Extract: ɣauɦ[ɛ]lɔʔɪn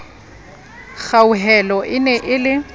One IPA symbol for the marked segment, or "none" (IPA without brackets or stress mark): ɛ